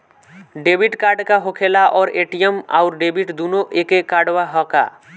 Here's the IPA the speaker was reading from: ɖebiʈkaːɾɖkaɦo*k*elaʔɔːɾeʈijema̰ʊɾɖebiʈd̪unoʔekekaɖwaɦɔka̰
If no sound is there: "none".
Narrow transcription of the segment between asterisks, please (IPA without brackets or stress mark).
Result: kʰ